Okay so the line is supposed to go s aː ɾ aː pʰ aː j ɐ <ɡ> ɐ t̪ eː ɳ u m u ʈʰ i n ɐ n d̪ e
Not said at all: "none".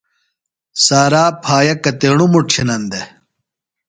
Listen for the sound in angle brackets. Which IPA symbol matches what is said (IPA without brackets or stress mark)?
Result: k